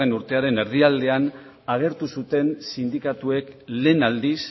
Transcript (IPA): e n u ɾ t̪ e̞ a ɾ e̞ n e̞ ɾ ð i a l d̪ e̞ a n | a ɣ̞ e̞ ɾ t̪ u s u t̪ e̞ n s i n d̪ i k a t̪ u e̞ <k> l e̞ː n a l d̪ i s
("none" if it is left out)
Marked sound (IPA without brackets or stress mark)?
k